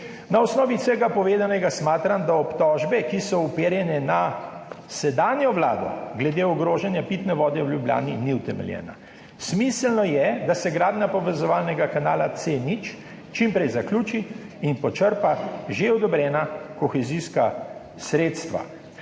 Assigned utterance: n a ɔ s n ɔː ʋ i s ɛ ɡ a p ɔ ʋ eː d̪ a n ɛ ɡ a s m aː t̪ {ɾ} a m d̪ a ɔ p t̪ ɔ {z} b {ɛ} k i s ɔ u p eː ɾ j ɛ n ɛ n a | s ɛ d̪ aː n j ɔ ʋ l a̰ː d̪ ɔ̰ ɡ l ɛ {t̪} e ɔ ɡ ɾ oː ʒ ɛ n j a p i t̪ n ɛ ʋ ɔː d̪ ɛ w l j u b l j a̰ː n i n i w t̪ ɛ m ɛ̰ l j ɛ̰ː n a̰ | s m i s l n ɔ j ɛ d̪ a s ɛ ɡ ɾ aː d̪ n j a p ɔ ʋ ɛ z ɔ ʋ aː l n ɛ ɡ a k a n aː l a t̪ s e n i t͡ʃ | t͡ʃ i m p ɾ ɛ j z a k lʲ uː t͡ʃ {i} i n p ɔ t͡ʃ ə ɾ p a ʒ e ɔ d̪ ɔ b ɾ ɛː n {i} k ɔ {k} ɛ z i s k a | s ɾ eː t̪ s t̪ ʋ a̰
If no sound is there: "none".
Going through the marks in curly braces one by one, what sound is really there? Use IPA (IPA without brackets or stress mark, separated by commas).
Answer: ɾ, ʒ, ɛ, d̪, i, a, x